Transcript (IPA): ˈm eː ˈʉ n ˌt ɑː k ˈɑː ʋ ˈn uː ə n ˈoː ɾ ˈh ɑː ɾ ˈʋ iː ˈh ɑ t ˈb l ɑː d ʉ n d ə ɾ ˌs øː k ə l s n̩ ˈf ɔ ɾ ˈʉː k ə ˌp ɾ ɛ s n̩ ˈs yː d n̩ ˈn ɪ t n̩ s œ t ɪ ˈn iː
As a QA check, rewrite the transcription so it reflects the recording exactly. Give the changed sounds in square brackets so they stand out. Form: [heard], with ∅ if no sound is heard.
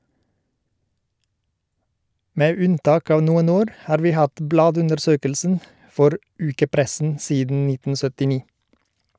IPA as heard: ˈm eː ˈʉ n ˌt ɑː k ˈɑː ʋ ˈn uː ə n ˈoː ɾ ˈh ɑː ɾ ˈʋ iː ˈh ɑ t ˈb l ɑː d ʉ n d ə ɾ ˌs øː k ə l s n̩ ˈf ɔ ɾ ˈʉː k ə ˌp ɾ ɛ s n̩ ˈs [iː] d n̩ ˈn ɪ t n̩ s œ t ɪ ˈn iː